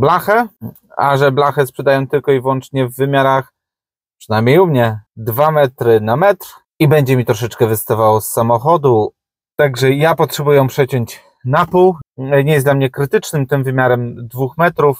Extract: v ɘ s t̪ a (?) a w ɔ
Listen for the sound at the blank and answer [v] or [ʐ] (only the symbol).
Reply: v